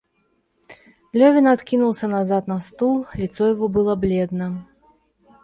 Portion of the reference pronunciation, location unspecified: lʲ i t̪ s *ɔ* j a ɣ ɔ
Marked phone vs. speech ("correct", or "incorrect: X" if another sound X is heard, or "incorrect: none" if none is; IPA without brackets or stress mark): correct